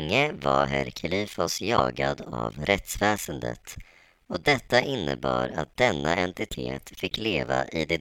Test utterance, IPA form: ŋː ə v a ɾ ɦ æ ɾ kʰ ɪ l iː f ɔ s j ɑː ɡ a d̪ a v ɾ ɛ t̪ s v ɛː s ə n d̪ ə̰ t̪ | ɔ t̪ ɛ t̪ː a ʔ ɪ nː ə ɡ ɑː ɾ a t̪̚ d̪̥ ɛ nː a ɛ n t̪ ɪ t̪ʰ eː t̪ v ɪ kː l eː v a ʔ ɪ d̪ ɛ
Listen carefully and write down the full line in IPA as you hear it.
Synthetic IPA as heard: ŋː ə v a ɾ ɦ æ ɾ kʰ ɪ l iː f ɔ s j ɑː ɡ a d̪ a v ɾ ɛ t̪ s v ɛː s ə n d̪ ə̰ t̪ | ɔ d̪ ɛ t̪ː a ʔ ɪ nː ə b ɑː ɾ a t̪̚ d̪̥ ɛ nː a ɛ n t̪ ɪ t̪ʰ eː t̪ f ɪ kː l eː v a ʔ ɪ d̪ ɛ